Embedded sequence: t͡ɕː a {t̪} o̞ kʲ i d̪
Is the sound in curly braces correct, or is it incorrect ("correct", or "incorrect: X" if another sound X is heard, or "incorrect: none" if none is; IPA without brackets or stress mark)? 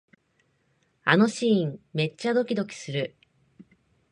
incorrect: d̪